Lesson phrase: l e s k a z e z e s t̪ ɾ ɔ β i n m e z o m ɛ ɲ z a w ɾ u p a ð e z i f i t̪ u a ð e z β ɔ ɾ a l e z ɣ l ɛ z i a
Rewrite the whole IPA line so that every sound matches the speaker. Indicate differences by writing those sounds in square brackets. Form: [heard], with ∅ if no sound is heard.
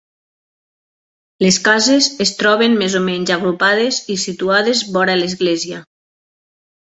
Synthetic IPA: l e s k a z e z e s t̪ ɾ ɔ β [e] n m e z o m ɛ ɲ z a [ɣ] ɾ u p a ð e z i [s] i t̪ u a ð e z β ɔ ɾ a l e z ɣ l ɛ z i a